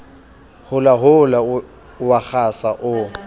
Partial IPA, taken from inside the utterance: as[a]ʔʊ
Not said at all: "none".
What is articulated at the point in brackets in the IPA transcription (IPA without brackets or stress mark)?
a